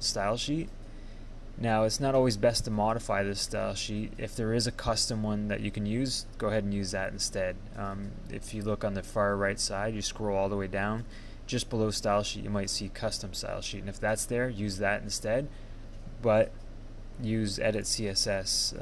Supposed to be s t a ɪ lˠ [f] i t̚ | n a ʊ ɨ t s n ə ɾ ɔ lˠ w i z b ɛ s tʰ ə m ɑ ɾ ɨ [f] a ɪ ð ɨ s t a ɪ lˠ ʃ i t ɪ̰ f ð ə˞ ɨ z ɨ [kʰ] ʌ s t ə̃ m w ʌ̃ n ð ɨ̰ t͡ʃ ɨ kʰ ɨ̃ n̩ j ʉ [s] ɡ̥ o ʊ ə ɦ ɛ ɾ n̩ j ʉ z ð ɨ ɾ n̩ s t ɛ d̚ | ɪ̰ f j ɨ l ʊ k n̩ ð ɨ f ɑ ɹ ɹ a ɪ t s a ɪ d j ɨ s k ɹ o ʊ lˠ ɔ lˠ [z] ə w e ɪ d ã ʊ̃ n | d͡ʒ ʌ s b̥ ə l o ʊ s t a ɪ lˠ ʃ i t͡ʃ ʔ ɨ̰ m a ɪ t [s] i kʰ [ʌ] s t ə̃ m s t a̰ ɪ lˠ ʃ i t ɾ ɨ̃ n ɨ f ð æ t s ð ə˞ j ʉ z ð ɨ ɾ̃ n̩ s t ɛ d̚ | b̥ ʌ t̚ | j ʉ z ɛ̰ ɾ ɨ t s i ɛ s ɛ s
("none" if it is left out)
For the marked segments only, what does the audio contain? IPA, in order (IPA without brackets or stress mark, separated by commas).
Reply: ʃ, f, kʰ, z, ð, s, ʌ